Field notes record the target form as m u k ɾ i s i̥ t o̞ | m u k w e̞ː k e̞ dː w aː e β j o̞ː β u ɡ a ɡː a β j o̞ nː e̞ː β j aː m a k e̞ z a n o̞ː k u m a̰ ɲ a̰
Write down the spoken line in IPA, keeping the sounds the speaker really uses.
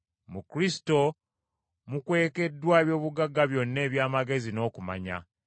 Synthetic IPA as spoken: m u k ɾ i s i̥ t o̞ | m u k w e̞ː k e̞ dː w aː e β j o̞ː β u ɡ a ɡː a β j o̞ nː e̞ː β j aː m a ɡ e̞ z i n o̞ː k u m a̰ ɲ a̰